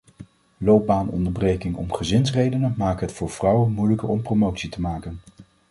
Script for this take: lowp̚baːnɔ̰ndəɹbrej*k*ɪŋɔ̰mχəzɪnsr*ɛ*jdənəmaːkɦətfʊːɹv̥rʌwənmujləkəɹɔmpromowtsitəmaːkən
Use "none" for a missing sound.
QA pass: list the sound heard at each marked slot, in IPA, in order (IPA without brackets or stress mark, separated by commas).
k, e